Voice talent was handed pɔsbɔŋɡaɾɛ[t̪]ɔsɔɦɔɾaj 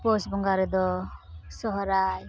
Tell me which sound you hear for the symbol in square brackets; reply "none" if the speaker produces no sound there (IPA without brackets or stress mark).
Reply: d̪